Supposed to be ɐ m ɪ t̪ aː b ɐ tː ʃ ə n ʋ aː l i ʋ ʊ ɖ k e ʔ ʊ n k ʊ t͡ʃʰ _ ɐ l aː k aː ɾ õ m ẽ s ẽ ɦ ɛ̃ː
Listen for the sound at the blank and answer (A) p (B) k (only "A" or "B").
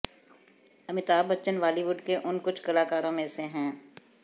B